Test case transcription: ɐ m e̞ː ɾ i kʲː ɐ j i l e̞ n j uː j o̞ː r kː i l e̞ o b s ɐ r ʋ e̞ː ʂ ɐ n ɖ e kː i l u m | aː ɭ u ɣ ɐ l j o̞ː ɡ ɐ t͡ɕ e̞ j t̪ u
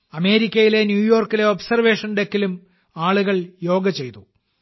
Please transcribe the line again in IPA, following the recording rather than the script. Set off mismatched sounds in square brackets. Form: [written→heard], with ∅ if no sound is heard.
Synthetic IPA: ɐ m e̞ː ɾ i kʲː ɐ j i l e̞ n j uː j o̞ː r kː i l e̞ o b s ɐ r ʋ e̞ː ʂ ɐ n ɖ e kː i l u m | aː ɭ u ɣ ɐ [l→ɭ] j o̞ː ɡ ɐ t͡ɕ e̞ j t̪ u

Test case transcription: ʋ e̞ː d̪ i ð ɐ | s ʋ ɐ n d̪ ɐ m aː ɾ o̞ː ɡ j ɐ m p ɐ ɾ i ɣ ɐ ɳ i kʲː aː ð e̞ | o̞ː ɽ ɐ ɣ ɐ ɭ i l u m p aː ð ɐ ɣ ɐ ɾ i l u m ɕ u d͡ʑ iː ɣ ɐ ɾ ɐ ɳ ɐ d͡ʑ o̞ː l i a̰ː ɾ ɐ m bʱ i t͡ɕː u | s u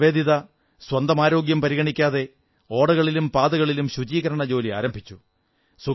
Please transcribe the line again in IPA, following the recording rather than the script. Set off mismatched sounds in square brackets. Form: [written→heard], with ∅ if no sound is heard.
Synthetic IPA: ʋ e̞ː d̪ i ð ɐ | s [ʋ→w] ɐ n d̪ ɐ m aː ɾ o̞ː ɡ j ɐ m p ɐ ɾ i ɣ ɐ ɳ i kʲː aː ð e̞ | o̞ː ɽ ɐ ɣ ɐ ɭ i l u m p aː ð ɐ ɣ ɐ [ɾ→ɭ] i l u m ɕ u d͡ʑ iː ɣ ɐ ɾ ɐ ɳ ɐ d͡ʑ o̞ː l i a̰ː ɾ ɐ m bʱ i t͡ɕː u | s u

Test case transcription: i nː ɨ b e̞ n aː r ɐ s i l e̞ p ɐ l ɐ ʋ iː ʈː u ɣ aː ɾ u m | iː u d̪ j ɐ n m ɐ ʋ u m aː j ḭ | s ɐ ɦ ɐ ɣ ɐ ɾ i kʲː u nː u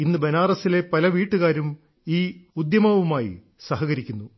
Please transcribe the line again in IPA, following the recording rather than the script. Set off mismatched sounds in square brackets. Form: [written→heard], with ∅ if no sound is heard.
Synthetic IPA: i nː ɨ b e̞ n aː r ɐ s i l e̞ p ɐ l ɐ ʋ iː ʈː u ɣ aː ɾ u m | iː u d̪ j ɐ [n→∅] m ɐ ʋ u m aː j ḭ | s ɐ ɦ ɐ ɣ ɐ ɾ i kʲː u nː u

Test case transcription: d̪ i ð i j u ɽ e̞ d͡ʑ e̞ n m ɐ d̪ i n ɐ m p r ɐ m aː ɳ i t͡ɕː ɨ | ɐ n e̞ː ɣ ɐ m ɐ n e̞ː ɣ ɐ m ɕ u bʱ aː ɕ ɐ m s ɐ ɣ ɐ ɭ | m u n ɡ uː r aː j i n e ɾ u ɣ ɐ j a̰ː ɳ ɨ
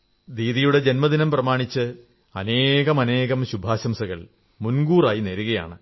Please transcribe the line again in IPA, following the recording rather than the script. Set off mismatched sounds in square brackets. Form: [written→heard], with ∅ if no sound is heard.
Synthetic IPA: d̪ [i→iː] ð i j u ɽ e̞ d͡ʑ e̞ n m ɐ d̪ i n ɐ m p r ɐ m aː ɳ i t͡ɕː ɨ | ɐ n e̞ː ɣ ɐ m ɐ n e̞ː ɣ ɐ m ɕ u bʱ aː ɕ ɐ m s ɐ ɣ ɐ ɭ | m u n ɡ uː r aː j i n e ɾ u ɣ ɐ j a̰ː ɳ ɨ

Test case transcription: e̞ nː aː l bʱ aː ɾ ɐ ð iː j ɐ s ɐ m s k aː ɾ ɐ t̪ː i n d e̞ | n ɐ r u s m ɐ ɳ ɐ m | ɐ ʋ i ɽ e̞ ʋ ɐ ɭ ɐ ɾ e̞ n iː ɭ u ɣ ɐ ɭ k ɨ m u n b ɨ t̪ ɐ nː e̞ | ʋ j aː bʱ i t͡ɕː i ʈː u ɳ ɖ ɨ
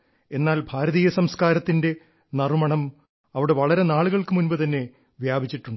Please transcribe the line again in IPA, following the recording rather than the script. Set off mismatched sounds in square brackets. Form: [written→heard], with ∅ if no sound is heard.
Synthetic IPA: e̞ nː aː l bʱ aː ɾ ɐ ð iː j ɐ s ɐ m s k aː ɾ ɐ t̪ː i n d e̞ | n ɐ r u [s→∅] m ɐ ɳ ɐ m | ɐ ʋ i ɽ e̞ ʋ ɐ ɭ ɐ ɾ e̞ n [iː→aː] ɭ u ɣ ɐ ɭ k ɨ m u n b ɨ t̪ ɐ nː e̞ | ʋ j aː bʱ i t͡ɕː i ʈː u ɳ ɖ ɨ

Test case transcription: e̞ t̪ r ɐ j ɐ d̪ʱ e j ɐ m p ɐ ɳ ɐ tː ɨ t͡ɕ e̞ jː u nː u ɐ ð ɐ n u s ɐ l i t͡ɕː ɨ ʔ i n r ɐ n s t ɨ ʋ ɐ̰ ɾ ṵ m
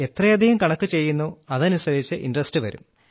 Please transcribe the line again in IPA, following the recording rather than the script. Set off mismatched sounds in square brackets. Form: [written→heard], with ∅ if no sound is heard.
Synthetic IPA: e̞ t̪ r ɐ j ɐ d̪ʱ [e→i] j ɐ m [p→k] ɐ ɳ ɐ [tː→kː] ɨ t͡ɕ e̞ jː u nː u ɐ ð ɐ n u s ɐ [l→ɾ] i t͡ɕː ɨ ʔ i n r ɐ [n→∅] s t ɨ ʋ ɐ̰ ɾ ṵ m

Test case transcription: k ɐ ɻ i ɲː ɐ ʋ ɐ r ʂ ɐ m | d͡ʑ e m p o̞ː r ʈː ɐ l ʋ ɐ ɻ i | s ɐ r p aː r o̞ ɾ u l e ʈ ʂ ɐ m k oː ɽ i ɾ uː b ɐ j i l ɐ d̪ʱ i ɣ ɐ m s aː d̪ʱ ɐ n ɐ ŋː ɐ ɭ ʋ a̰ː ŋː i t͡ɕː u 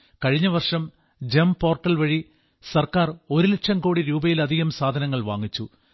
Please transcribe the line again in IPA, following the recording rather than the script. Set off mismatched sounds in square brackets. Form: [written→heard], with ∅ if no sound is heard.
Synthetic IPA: k ɐ ɻ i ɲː ɐ ʋ ɐ r ʂ ɐ m | d͡ʑ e m p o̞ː r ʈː ɐ l ʋ ɐ ɻ i | s ɐ r [p→k] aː r o̞ ɾ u l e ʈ ʂ ɐ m k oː ɽ i ɾ uː b ɐ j i l ɐ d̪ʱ i ɣ ɐ m s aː d̪ʱ ɐ n ɐ ŋː ɐ ɭ ʋ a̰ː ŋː i t͡ɕː u

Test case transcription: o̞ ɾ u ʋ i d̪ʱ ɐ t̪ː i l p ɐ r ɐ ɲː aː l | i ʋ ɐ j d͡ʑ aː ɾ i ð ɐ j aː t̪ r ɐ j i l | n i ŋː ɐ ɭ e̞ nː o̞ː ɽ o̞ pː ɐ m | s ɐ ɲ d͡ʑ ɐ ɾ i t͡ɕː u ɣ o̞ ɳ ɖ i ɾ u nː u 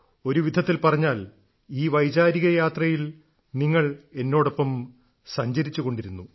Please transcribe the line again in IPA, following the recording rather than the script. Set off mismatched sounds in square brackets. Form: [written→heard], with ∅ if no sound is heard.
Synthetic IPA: o̞ ɾ u ʋ i d̪ʱ ɐ t̪ː i l p ɐ r ɐ ɲː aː l | [i→iː] ʋ ɐ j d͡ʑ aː ɾ i [ð→ɣ] ɐ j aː t̪ r ɐ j i l | n i ŋː ɐ ɭ e̞ nː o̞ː ɽ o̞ pː ɐ m | s ɐ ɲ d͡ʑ ɐ ɾ i t͡ɕː u ɣ o̞ ɳ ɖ i ɾ u nː u

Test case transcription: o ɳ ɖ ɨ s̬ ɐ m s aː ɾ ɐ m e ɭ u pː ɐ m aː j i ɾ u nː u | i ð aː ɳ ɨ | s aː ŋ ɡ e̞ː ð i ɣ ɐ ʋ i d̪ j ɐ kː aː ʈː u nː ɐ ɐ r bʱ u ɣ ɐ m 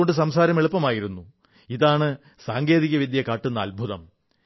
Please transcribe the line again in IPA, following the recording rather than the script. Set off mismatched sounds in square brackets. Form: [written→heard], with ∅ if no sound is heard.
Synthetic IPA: o ɳ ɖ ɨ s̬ ɐ m s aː ɾ ɐ m e ɭ u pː ɐ m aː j i ɾ u nː u | i ð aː ɳ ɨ | s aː ŋ ɡ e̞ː ð i ɣ ɐ ʋ i d̪ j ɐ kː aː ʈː u nː ɐ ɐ [r→l] bʱ u [ɣ→ð] ɐ m

